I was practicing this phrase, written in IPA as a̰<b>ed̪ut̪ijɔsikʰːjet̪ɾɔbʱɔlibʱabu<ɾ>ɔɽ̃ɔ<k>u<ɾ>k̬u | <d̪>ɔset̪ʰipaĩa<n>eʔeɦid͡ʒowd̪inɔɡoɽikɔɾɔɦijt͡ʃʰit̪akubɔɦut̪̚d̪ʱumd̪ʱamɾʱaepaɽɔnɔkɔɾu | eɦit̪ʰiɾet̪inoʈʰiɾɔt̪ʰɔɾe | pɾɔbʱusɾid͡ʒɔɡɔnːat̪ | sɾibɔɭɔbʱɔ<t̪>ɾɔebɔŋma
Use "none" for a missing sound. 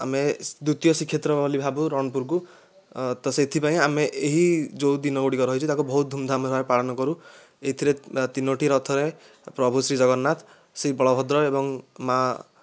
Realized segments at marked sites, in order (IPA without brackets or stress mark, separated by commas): m, ɾ, p, ɾ, t̪, m, d̪